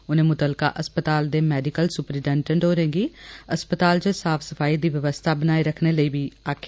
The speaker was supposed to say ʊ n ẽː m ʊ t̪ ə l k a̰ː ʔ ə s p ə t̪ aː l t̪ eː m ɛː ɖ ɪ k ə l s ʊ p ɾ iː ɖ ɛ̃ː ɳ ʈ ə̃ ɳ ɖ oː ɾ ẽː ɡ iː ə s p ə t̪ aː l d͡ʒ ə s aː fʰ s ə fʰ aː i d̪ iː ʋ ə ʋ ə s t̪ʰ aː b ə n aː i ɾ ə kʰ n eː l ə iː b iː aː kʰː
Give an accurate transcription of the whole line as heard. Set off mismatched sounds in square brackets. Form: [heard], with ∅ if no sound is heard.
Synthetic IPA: ʊ n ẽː m ʊ t̪ ə l k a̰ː ʔ ə s p ə t̪ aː l [d̪] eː m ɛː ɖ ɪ k ə l s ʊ p ɾ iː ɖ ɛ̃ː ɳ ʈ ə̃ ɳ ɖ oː ɾ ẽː ɡ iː ə s p ə t̪ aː l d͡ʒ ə s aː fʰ s ə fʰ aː i d̪ iː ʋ ə ʋ ə s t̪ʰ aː b ə n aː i ɾ ə kʰ n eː l ə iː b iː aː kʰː